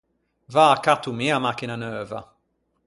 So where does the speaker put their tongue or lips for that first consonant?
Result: lips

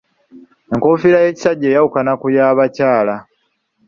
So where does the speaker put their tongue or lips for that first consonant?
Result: velum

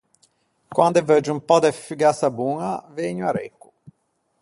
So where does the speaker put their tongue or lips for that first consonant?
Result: velum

